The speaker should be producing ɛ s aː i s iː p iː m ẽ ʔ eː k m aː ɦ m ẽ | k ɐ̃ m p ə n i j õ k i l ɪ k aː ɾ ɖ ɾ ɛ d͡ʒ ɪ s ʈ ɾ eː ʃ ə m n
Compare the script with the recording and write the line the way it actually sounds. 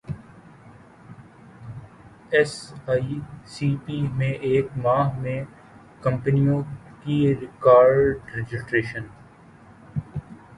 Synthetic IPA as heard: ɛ s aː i s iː p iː m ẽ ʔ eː k m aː ɦ m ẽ | k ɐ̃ m p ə n i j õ k i ɾ ɪ k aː ɾ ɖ ɾ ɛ d͡ʒ ɪ s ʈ ɾ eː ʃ ə n